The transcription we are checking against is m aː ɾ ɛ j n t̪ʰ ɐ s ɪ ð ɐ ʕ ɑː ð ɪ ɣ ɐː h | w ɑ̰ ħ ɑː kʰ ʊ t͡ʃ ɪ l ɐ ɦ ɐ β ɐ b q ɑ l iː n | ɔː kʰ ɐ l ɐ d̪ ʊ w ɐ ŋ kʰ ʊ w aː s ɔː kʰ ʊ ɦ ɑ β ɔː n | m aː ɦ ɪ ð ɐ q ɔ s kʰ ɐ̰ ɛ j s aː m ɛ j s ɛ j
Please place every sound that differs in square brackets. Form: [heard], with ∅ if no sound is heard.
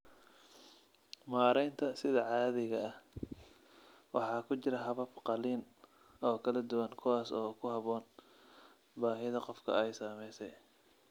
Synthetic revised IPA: m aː ɾ ɛ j n t̪ʰ ɐ s ɪ ð ɐ ʕ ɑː ð ɪ ɣ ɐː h | w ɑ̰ ħ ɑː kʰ ʊ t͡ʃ ɪ [ɾ] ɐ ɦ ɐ β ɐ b q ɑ l iː n | ɔː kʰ ɐ l ɐ d̪ ʊ w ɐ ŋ kʰ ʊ w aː s ɔː kʰ ʊ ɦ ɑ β ɔː n | [b] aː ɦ ɪ ð ɐ q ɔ [f] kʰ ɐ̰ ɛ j s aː m ɛ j s ɛ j